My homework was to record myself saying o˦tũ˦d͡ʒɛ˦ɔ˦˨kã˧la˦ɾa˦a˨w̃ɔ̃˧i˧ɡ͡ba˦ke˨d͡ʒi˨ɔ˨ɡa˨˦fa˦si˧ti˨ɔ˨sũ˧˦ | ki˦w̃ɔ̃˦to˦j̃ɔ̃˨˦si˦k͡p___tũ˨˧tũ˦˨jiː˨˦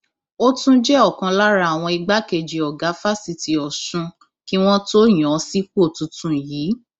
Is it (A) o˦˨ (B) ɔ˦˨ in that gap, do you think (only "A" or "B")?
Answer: A